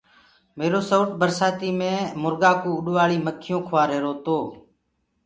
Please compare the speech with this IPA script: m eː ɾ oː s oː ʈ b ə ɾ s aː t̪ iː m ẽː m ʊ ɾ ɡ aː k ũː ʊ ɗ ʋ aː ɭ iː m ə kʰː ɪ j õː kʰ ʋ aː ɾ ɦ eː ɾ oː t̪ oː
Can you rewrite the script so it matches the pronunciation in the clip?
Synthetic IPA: m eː ɾ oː s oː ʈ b ə ɾ s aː t̪ iː m ẽː m ʊ ɾ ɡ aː k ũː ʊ ɗ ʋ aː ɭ iː m ə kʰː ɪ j õː kʰ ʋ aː ɾ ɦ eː ɾ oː t̪ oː